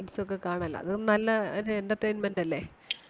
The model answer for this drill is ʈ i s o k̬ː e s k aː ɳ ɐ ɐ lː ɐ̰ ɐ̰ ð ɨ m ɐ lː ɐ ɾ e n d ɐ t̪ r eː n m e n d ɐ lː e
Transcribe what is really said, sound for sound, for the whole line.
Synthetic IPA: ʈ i s o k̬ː e k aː ɳ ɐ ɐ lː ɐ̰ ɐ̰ ð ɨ n ɐ lː ɐ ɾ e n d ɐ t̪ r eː n m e n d ɐ lː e